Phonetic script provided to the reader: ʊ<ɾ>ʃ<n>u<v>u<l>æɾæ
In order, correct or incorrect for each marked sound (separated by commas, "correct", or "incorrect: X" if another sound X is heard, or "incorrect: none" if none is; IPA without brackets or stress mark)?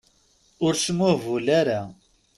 correct, incorrect: m, correct, correct